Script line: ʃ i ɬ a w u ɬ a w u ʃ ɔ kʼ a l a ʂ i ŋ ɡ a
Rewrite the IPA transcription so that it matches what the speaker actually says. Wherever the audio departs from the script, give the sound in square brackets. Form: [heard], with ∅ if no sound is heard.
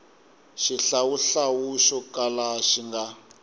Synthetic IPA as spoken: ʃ i ɬ a w u ɬ a w u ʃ ɔ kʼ a l a [ʃ] i ŋ ɡ a